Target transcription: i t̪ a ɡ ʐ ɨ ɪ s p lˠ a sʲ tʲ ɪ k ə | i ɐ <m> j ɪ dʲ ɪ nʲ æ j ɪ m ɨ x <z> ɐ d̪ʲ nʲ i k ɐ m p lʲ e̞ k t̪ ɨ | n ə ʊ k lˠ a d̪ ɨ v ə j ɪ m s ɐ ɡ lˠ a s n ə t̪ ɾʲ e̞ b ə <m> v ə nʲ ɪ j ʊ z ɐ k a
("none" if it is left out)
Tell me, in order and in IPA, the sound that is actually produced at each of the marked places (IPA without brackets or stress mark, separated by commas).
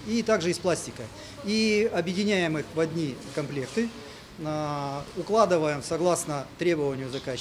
b, v, none